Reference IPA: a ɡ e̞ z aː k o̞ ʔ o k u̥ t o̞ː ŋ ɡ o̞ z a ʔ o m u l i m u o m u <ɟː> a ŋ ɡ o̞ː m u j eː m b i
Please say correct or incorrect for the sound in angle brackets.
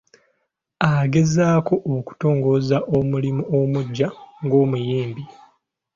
correct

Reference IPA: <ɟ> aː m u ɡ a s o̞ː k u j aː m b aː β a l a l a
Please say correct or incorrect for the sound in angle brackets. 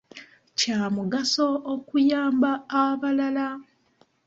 incorrect: c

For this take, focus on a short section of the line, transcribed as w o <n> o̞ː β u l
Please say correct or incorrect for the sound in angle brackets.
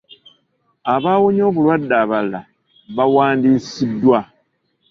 incorrect: ɲ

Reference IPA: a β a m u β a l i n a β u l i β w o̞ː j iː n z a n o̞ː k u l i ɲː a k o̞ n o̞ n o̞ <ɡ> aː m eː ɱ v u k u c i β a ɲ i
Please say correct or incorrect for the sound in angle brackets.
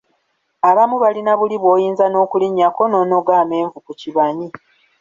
correct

